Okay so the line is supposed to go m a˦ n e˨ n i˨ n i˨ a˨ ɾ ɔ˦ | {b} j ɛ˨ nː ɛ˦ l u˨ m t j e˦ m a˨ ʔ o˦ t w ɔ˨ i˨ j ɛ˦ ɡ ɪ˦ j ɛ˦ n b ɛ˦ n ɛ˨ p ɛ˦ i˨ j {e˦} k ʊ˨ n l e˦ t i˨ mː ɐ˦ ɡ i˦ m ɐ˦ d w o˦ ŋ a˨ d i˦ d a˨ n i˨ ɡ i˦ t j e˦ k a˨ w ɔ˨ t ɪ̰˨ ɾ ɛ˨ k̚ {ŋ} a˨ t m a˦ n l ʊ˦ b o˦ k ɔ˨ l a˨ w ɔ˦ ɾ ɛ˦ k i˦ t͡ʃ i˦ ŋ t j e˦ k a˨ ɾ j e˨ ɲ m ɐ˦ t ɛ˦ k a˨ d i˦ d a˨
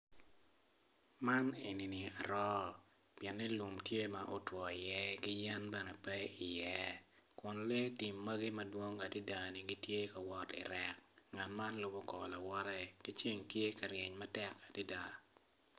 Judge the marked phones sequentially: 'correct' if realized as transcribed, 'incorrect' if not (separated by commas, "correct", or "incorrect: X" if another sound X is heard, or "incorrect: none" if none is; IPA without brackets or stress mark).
incorrect: p, incorrect: ɛ˦, correct